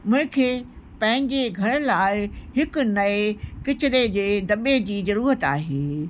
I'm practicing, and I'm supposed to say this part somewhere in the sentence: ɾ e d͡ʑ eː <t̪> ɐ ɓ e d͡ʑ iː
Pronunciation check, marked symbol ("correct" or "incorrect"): incorrect